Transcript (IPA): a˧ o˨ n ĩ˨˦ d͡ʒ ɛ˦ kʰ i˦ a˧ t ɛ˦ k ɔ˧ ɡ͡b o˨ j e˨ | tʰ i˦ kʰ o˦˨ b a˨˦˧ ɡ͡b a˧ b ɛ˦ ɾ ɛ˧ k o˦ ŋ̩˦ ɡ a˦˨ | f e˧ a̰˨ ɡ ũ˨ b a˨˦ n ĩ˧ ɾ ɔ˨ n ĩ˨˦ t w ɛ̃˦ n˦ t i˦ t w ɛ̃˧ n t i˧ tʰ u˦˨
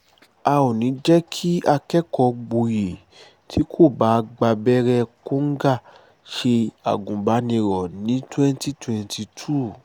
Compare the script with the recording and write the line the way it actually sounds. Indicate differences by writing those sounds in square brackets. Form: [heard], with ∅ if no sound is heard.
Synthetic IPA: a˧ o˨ n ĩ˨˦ d͡ʒ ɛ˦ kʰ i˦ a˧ [k] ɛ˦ k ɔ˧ ɡ͡b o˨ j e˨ | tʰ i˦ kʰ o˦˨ b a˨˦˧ ɡ͡b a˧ b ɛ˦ ɾ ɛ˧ k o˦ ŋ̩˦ ɡ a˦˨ | [ʃ] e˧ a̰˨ ɡ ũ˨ b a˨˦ n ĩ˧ ɾ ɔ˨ n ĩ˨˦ t w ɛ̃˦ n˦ t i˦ t w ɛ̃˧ n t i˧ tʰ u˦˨